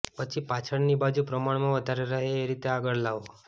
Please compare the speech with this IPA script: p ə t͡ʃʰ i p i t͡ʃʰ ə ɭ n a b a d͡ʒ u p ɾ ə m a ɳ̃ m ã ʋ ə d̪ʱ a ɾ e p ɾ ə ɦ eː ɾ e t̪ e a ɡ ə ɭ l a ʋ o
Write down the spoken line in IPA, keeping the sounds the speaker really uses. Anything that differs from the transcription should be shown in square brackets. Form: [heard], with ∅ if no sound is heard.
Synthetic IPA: p ə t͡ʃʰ i p [a] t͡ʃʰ ə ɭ n [i] b a d͡ʒ u p ɾ ə m a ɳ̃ m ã ʋ ə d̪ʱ a ɾ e [∅] ɾ ə ɦ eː ɾ [i] t̪ e a ɡ ə ɭ l a ʋ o